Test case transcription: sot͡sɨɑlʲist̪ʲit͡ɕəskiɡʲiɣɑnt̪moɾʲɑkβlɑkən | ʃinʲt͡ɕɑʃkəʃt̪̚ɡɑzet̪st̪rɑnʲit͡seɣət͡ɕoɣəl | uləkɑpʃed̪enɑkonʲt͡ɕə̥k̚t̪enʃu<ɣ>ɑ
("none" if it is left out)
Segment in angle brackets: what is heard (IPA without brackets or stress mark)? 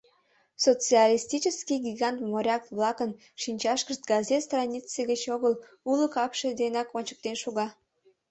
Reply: ɣ